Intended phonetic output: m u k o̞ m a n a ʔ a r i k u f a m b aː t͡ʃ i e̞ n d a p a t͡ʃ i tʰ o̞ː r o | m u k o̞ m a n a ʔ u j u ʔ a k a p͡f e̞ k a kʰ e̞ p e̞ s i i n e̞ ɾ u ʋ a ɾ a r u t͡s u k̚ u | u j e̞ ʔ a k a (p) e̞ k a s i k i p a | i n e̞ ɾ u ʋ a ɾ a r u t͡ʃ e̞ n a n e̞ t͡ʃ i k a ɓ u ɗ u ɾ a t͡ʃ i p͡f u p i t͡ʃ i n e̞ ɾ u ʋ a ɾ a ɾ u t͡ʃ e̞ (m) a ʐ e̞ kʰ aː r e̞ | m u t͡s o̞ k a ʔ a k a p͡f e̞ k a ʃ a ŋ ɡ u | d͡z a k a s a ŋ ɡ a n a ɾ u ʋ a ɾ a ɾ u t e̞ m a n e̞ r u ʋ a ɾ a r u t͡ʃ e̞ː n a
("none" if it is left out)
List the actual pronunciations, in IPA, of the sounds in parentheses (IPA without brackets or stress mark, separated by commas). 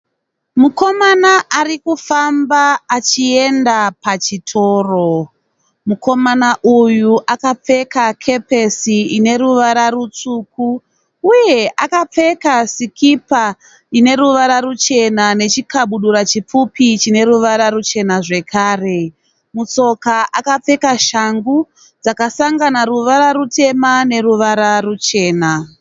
p͡f, n